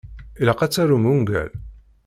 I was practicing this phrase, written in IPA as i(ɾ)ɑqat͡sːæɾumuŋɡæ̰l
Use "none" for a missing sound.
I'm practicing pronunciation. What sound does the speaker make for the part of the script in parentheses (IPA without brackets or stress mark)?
l